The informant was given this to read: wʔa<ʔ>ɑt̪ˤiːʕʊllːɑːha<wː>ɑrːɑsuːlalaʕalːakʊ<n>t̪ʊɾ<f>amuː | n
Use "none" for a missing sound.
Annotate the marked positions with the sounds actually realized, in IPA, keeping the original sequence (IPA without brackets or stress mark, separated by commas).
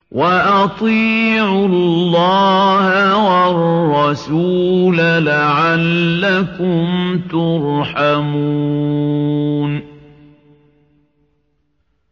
ʔ, w, m, ħ